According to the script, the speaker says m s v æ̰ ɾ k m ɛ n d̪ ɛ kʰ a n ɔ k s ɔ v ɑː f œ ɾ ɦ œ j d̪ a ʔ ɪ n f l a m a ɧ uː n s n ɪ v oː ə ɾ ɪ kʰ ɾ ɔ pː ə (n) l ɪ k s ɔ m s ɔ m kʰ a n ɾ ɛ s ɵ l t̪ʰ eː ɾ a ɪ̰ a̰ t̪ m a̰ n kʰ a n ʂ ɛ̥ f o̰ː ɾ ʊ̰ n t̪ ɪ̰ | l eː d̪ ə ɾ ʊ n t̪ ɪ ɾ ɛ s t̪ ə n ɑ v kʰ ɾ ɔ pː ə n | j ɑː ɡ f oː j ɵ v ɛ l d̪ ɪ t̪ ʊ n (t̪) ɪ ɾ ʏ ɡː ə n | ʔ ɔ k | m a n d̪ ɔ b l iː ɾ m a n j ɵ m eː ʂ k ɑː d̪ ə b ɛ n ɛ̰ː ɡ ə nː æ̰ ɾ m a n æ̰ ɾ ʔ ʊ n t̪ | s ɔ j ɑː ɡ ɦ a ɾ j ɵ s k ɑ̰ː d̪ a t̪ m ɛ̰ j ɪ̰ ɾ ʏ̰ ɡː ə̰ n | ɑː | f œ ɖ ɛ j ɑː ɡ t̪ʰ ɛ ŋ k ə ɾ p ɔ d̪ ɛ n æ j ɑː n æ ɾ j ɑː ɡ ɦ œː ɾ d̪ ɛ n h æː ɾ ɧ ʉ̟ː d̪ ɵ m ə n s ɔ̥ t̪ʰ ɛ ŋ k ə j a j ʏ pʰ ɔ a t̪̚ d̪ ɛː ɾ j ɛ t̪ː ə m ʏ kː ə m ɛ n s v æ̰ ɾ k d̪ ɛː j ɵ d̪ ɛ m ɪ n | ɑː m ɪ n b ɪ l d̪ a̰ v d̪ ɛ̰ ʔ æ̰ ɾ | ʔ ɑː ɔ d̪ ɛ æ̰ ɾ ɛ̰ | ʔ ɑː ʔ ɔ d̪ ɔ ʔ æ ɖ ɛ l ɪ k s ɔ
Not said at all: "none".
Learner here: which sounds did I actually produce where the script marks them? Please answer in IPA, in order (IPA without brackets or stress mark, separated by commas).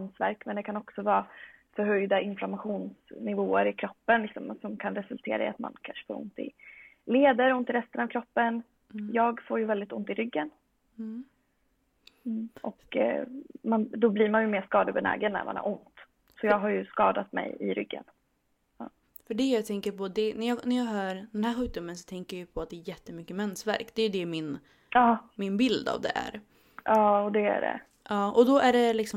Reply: n, t̪